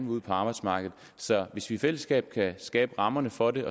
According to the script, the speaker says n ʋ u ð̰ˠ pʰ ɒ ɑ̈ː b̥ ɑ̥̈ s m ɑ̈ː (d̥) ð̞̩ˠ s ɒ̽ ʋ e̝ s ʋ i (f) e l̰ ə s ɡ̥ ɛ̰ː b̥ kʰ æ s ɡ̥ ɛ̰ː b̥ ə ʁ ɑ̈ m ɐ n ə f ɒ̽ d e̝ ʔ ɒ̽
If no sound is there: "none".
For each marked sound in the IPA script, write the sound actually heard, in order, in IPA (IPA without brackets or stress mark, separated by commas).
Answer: ɡ̥, f